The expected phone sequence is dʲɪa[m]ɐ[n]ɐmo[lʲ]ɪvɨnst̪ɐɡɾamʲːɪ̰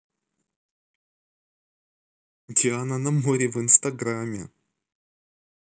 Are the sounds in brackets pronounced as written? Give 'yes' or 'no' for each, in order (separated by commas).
no, yes, no